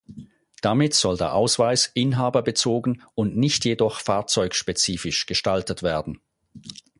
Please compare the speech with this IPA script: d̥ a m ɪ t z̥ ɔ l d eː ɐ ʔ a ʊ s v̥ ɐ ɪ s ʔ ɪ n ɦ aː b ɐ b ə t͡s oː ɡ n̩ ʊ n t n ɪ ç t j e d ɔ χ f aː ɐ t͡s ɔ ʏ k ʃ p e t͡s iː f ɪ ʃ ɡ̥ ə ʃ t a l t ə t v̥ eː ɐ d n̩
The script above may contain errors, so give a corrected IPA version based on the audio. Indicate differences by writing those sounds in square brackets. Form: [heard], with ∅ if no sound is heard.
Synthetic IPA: d̥ a m ɪ t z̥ ɔ l d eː ɐ ʔ a ʊ s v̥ [a] ɪ s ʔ ɪ n ɦ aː b ɐ b ə t͡s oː ɡ n̩ ʊ n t n ɪ ç t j e d ɔ χ f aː ɐ t͡s ɔ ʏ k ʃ p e t͡s iː f ɪ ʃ ɡ̥ ə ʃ t a l t ə t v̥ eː ɐ d n̩